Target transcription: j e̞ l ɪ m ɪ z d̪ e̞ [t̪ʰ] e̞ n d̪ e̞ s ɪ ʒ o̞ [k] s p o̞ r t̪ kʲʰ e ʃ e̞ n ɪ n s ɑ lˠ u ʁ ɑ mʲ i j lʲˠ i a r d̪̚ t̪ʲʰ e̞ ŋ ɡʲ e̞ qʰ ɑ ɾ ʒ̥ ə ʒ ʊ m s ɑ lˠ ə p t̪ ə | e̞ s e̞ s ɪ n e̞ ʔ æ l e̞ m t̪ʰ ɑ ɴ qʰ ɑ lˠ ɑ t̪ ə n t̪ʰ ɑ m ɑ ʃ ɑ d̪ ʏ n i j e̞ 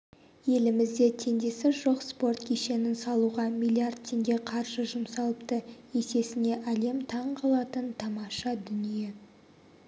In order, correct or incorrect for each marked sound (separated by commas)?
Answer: correct, incorrect